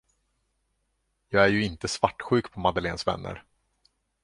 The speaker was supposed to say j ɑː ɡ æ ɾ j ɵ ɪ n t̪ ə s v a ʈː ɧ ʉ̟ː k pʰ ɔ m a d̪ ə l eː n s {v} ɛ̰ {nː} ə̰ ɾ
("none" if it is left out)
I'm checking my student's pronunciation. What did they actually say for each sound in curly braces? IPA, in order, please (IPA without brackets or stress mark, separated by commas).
v, nː